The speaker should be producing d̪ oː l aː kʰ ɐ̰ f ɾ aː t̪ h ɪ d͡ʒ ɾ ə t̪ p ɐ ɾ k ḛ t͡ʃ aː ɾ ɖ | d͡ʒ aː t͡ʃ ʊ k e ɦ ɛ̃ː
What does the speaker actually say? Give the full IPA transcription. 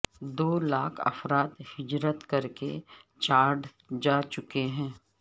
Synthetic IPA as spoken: d̪ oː l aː kʰ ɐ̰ f ɾ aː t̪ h ɪ d͡ʒ ɾ ə t̪ k ɐ ɾ k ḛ t͡ʃ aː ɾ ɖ | d͡ʒ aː t͡ʃ ʊ k e ɦ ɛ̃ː